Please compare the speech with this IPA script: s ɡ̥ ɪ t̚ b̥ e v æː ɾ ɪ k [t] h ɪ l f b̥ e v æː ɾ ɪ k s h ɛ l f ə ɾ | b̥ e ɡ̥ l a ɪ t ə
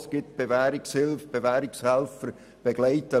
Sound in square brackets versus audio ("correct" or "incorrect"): incorrect